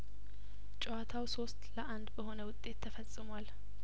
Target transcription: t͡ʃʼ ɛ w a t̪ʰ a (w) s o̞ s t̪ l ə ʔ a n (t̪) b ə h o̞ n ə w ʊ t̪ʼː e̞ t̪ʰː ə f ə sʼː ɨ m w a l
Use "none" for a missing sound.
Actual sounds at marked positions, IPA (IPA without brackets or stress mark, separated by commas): w, d̪